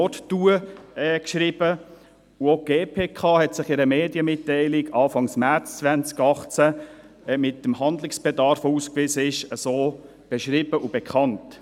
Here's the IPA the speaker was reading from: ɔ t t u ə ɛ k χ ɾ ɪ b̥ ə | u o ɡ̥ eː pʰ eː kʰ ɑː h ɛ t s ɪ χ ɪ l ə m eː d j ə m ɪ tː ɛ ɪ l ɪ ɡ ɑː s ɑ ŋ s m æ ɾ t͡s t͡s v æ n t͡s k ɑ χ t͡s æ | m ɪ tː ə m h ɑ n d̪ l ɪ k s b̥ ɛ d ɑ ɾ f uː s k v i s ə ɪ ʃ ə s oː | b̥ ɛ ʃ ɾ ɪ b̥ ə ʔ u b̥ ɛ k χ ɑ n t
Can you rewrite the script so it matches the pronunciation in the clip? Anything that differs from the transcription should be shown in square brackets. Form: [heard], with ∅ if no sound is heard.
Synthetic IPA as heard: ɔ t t u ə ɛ k [ʃ] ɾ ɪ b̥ ə | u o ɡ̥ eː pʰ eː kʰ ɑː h ɛ t s ɪ χ ɪ [ɾ] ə m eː d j ə m ɪ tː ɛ ɪ l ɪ ɡ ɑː [f] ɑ ŋ s m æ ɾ t͡s t͡s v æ n t͡s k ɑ χ t͡s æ | m ɪ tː ə m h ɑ n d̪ l ɪ k s b̥ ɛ d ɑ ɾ f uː s k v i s ə ɪ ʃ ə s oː | b̥ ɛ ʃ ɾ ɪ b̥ ə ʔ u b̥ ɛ k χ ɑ n t